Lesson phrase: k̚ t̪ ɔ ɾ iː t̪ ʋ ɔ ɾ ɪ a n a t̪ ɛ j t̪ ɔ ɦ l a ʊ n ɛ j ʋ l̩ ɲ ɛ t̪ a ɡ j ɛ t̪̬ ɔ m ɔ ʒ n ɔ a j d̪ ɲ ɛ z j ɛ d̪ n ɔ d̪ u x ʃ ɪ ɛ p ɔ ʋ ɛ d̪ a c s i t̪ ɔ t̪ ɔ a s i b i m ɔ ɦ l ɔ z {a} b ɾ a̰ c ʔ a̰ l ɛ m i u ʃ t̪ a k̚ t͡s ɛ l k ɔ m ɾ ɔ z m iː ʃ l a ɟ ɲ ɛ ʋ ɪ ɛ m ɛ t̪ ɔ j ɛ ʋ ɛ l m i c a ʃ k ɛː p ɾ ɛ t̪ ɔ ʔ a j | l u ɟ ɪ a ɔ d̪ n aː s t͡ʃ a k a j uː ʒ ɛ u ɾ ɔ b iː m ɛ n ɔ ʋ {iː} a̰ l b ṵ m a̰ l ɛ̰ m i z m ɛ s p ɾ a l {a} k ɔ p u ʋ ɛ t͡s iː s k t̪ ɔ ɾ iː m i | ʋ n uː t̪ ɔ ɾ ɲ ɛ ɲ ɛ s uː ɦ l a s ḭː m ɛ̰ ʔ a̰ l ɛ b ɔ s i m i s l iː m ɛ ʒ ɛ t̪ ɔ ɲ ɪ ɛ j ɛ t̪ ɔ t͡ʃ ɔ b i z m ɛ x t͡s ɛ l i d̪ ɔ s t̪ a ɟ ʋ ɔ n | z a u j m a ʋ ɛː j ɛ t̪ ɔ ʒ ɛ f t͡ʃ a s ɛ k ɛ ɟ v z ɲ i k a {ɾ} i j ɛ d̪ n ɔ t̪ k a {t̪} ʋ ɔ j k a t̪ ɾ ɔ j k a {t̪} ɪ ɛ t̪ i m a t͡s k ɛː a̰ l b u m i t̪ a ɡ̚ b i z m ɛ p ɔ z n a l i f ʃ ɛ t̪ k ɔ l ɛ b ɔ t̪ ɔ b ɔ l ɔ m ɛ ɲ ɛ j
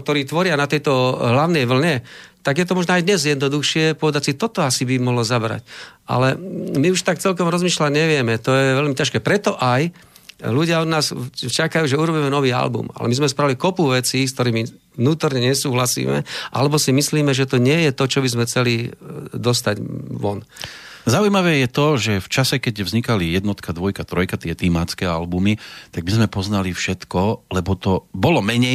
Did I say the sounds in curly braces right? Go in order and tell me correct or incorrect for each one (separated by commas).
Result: correct, correct, incorrect, incorrect, incorrect, correct